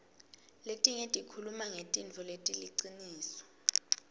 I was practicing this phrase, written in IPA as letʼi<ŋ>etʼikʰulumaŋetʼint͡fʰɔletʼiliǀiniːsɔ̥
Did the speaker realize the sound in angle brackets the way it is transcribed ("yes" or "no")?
yes